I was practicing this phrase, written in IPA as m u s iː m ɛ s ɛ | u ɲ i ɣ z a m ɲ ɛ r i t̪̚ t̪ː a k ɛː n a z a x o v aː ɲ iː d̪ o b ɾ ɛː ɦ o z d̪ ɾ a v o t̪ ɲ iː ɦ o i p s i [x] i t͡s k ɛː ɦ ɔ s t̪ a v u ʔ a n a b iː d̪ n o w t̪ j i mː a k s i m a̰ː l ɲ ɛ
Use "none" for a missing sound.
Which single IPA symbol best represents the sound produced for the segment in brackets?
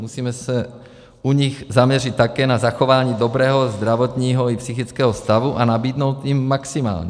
x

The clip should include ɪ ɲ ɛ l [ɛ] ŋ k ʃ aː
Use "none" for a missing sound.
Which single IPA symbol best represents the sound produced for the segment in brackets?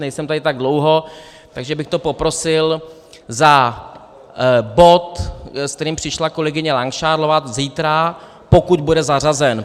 a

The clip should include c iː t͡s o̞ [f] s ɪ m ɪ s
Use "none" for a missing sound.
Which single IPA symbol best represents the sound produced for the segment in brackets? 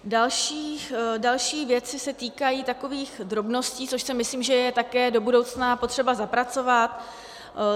ʃ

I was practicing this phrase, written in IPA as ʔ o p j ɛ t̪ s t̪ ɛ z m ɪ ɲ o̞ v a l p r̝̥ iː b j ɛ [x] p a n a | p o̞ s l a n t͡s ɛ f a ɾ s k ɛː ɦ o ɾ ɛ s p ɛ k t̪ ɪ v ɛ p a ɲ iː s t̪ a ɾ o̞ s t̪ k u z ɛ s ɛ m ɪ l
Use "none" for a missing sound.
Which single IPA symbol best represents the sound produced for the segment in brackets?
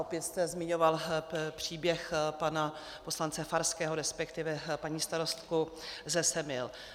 x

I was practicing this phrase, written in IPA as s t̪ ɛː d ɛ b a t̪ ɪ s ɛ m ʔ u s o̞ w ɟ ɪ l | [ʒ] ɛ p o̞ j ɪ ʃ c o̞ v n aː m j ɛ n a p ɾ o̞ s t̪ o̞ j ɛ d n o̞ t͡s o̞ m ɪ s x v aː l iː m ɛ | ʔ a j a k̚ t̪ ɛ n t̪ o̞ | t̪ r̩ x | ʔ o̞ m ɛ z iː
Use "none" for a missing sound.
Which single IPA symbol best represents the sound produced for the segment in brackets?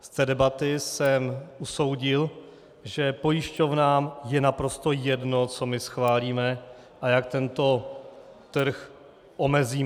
ʒ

